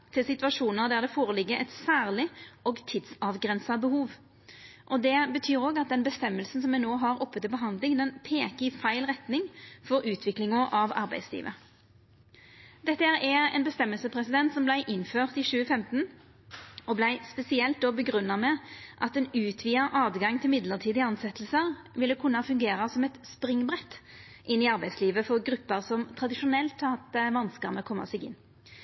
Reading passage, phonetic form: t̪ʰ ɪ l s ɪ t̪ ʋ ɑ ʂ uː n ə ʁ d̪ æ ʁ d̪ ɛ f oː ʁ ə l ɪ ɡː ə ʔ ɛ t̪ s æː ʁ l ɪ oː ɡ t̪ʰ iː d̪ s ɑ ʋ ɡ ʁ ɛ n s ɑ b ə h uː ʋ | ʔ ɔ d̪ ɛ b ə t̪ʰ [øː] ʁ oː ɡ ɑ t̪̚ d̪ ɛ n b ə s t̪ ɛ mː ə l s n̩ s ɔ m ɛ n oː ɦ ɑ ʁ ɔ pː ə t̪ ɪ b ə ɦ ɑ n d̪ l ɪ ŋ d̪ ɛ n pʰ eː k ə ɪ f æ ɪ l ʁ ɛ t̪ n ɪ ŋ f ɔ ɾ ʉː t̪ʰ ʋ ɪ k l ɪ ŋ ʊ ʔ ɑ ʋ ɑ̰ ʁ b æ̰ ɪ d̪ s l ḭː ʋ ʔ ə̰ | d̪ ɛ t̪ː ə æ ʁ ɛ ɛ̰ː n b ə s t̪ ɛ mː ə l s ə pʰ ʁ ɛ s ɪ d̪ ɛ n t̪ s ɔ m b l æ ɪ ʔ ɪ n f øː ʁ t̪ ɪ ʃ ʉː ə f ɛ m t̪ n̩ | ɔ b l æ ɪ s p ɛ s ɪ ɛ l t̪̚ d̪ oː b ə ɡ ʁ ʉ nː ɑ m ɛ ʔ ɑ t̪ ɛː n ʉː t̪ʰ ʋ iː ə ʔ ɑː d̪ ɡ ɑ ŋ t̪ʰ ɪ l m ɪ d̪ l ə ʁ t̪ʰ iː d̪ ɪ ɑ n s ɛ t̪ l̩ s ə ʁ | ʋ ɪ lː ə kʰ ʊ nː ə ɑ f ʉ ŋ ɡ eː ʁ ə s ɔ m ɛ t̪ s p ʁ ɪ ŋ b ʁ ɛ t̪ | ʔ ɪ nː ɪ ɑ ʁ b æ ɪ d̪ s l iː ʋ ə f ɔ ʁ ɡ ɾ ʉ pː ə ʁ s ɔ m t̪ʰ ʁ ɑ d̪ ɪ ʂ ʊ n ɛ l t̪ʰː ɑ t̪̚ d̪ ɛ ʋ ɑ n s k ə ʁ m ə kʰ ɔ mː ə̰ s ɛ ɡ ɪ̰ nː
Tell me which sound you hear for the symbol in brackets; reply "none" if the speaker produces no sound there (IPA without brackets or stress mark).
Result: yː